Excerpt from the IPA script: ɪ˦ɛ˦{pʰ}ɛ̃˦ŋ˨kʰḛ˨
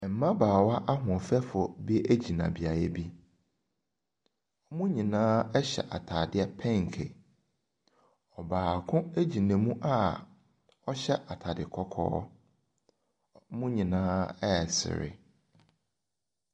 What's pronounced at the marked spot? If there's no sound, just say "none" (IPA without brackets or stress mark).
pʰ